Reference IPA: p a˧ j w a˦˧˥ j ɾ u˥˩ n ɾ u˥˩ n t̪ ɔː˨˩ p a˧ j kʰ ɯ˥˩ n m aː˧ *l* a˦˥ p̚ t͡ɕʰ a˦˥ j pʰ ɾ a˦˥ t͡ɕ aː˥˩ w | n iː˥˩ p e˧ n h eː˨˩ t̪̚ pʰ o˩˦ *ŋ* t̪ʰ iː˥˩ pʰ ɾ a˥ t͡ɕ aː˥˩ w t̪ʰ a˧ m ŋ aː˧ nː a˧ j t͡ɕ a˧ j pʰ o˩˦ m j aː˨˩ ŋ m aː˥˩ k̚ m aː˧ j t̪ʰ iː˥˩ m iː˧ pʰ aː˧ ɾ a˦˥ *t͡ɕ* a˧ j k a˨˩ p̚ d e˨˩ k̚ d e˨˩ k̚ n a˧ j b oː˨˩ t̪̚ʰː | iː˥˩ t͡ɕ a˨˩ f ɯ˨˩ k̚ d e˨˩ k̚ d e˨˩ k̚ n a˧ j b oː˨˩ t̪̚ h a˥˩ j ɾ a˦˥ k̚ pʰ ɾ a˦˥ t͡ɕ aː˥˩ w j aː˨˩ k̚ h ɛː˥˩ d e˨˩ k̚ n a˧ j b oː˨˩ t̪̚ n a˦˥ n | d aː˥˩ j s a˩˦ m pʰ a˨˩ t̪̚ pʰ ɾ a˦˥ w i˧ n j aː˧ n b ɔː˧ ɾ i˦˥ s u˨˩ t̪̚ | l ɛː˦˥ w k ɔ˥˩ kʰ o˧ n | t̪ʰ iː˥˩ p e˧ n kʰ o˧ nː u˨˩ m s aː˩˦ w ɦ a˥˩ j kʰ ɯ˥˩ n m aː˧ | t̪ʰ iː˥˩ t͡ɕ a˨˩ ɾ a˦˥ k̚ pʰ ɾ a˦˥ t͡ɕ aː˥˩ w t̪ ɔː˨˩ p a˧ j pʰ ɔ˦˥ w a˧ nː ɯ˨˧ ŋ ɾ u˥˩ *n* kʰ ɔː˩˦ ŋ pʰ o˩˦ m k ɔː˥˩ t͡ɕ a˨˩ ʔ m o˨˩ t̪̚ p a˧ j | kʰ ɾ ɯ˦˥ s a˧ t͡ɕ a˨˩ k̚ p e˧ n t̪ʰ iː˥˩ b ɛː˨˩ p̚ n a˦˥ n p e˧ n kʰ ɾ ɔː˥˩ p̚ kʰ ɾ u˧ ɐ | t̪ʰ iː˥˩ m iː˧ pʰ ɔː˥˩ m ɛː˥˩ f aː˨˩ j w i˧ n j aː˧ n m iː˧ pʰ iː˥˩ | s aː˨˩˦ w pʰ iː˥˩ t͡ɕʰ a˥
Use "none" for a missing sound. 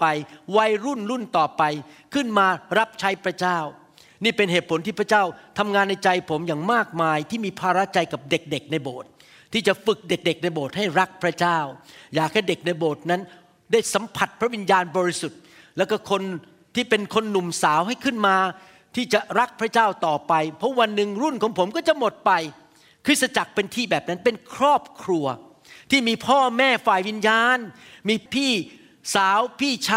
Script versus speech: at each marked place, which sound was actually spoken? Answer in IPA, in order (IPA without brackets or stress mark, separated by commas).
ɾ, n, t͡ɕ, n